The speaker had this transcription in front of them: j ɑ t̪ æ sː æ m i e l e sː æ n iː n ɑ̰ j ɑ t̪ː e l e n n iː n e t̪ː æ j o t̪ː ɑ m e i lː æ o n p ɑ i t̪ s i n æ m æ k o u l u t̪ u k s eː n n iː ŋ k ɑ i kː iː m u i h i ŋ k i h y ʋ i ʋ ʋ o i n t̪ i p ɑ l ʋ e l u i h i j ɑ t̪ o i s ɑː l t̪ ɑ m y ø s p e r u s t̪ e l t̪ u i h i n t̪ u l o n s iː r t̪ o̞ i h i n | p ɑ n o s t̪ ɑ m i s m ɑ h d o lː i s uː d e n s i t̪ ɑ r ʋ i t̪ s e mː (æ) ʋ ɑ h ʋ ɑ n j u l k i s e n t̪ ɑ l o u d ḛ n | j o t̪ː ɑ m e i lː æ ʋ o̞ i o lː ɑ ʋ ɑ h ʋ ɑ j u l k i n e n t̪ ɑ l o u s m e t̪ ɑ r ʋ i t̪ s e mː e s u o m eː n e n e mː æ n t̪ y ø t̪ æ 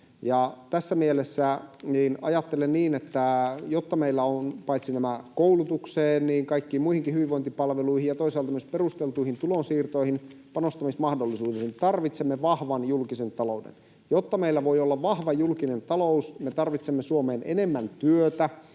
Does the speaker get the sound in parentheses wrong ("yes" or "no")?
yes